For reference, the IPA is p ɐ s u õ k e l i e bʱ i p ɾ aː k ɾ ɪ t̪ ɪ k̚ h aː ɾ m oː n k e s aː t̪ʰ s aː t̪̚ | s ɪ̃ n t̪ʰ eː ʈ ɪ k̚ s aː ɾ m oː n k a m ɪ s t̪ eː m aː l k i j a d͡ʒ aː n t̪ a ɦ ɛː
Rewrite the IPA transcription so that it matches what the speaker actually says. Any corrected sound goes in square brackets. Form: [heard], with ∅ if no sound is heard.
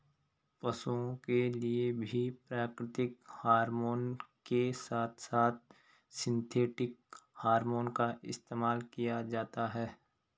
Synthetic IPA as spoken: p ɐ s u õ k e l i e bʱ i p ɾ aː k ɾ ɪ t̪ ɪ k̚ h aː ɾ m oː n k e s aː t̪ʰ s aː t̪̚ | s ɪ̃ n t̪ʰ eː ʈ ɪ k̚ [h] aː ɾ m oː n k a [∅] ɪ s t̪ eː m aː l k i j a d͡ʒ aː [∅] t̪ a ɦ ɛː